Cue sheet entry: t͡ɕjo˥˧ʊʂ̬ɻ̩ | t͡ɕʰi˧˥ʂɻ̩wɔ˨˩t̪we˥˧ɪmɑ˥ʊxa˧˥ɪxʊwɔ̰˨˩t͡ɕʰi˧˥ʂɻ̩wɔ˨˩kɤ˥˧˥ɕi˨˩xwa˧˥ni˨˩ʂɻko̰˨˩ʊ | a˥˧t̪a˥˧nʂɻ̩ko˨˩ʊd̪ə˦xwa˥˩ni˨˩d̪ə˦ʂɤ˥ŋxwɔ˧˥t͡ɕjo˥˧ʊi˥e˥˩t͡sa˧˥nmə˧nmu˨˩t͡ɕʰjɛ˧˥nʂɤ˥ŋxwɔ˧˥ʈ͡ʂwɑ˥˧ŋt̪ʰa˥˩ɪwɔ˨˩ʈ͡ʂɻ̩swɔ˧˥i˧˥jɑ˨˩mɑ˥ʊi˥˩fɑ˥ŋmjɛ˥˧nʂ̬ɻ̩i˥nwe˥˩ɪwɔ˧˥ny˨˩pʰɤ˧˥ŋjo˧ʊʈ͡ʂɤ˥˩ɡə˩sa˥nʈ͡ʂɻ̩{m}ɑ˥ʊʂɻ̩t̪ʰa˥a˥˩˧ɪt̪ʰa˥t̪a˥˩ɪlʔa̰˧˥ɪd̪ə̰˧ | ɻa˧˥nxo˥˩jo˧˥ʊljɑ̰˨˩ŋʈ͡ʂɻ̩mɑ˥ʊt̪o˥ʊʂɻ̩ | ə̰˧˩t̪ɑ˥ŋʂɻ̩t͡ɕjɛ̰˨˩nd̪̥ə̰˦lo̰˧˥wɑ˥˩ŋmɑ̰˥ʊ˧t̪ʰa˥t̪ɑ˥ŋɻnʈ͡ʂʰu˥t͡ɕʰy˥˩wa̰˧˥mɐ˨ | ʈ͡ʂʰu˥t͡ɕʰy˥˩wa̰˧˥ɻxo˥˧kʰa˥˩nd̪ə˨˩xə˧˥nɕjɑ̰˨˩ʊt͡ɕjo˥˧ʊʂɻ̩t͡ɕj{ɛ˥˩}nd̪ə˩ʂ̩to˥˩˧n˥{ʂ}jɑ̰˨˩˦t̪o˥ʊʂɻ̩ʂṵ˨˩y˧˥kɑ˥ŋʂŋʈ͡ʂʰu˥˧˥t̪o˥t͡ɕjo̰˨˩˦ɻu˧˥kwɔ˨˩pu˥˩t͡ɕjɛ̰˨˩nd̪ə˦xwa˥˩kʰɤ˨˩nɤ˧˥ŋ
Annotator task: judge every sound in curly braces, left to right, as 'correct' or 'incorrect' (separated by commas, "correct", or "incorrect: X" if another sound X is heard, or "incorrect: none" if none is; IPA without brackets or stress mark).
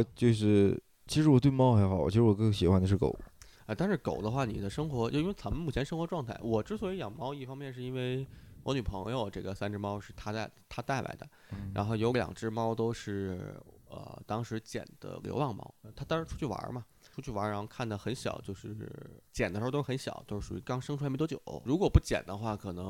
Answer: correct, incorrect: ɛ˨˩, incorrect: ɕ